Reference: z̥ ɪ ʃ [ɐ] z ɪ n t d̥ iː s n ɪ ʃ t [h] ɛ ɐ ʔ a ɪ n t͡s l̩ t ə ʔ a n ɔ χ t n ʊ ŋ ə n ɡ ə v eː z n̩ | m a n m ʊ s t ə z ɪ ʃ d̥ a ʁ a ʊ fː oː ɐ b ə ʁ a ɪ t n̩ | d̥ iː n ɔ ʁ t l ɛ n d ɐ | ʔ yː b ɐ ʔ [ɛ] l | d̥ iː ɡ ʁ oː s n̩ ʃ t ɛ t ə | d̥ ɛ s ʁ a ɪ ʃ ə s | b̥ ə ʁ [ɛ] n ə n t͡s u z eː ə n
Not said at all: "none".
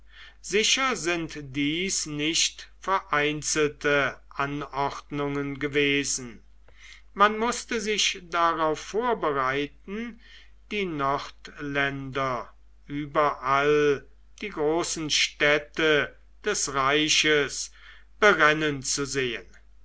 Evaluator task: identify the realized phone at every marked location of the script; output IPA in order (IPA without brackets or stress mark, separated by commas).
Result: ɐ, f, a, ɛ